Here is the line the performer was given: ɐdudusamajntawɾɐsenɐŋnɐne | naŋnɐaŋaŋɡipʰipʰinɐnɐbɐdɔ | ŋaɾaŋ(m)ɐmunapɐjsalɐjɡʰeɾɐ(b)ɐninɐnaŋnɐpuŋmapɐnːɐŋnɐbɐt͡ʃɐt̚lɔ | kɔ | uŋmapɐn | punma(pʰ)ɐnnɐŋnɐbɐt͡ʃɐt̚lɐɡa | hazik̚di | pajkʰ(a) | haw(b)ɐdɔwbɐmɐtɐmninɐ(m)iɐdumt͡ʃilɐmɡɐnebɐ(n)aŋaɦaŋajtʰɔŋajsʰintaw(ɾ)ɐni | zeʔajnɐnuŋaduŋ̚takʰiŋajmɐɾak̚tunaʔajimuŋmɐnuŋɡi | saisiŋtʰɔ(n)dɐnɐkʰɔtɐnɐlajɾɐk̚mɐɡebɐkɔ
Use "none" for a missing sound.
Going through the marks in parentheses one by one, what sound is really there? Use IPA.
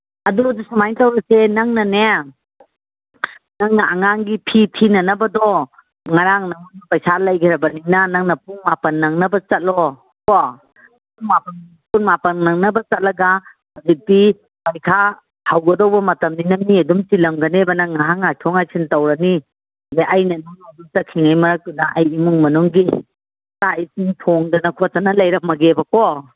n, b, p, a, ɡ, m, n, ɾ, ŋ

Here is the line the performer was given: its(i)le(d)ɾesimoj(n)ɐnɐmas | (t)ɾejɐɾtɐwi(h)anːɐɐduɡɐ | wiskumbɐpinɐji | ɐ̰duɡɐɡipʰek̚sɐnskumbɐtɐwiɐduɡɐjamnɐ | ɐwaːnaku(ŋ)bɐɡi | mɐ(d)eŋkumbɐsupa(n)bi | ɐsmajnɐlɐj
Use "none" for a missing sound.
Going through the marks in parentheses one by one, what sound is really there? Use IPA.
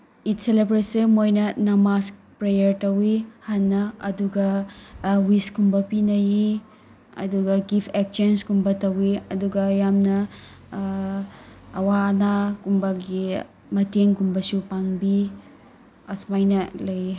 e, b, n, p, h, m, t, ŋ

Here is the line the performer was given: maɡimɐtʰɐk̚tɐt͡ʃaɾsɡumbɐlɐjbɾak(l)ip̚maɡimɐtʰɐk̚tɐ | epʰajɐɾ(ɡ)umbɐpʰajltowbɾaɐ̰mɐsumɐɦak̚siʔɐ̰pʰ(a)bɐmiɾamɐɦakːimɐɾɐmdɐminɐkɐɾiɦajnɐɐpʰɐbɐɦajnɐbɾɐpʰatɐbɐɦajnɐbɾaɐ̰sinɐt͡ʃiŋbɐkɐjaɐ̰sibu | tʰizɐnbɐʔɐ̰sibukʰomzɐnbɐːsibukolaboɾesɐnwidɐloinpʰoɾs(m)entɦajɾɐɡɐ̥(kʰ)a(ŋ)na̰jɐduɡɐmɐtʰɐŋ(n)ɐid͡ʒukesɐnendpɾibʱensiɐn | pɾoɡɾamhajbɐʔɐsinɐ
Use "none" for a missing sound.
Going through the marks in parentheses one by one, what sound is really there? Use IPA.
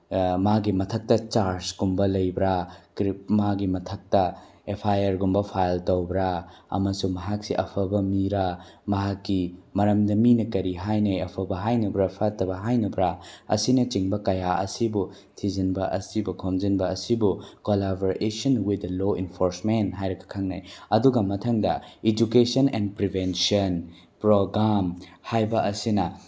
ɾ, ɡ, ɐ, m, kʰ, ŋ, d

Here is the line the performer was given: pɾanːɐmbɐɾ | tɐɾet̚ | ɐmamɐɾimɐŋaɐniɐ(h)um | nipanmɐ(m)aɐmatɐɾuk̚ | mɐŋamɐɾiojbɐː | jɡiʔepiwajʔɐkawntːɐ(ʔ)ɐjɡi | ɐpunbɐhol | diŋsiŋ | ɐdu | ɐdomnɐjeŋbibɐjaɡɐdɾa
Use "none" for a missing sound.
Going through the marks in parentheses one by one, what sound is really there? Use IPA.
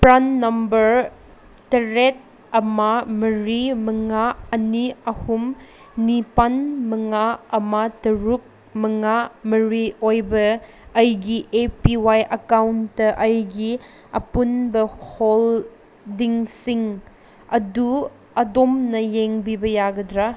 h, ŋ, ʔ

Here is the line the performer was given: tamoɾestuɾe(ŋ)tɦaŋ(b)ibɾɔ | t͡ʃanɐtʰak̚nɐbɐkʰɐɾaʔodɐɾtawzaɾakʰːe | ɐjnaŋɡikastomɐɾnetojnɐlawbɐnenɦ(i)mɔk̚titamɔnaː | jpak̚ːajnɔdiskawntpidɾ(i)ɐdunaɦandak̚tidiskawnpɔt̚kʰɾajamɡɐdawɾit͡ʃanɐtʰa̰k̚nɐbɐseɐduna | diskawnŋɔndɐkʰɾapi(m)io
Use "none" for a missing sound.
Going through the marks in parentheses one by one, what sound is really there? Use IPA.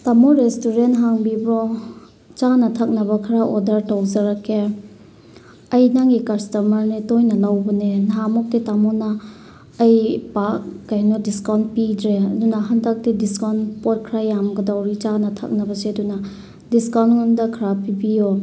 n, b, a, e, b

